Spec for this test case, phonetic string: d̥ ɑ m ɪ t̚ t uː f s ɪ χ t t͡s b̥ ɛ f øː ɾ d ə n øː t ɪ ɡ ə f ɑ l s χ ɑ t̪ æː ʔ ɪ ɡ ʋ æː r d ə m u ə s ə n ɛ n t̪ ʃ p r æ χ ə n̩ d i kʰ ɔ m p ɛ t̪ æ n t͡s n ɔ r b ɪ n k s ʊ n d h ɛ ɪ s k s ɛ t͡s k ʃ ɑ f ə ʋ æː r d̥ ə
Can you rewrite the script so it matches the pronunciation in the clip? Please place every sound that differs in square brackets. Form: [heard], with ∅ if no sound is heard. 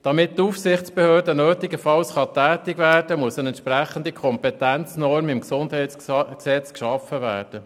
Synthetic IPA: d̥ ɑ m ɪ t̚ t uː f s ɪ χ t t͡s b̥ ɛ [h] øː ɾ d ə n øː t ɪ ɡ ə f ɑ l s χ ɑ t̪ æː [t] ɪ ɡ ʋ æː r d ə m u ə s ə n ɛ n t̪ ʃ p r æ χ ə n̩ d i kʰ ɔ m p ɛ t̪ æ n t͡s n ɔ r [m] ɪ [m] k s ʊ n d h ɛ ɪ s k s ɛ t͡s k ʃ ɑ f ə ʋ æː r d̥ ə